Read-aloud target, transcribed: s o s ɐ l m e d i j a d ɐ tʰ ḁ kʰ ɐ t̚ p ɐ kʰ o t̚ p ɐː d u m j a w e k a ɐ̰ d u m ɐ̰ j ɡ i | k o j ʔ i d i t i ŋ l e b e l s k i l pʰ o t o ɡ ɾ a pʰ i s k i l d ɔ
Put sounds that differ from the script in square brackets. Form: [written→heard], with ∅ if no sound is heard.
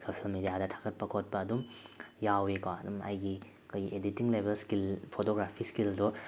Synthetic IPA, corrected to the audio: s o s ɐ l m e d i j a d ɐ tʰ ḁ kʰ ɐ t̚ p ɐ kʰ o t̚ p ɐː d u m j a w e k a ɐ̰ d u m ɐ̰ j ɡ i | k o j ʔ [i→e] d i t i ŋ l e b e l s k i l pʰ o t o ɡ ɾ a pʰ i s k i l d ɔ